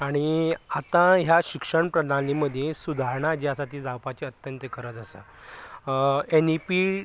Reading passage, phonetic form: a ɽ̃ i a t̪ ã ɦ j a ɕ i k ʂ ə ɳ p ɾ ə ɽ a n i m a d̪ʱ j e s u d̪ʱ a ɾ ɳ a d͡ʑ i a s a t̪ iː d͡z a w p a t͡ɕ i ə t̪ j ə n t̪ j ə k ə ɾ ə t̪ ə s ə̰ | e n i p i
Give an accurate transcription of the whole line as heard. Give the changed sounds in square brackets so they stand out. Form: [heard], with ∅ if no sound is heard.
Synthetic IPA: a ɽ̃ i a t̪ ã ɦ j a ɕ i k ʂ ə ɳ p ɾ ə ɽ a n i m [ə] d̪ʱ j e s u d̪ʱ a ɾ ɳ a d͡ʑ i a s a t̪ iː d͡z a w p a t͡ɕ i ə t̪ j ə n t̪ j ə k ə ɾ ə t̪ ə s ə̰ | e n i p i